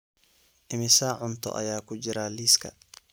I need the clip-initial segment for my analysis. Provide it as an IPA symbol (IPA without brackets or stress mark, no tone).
ʔ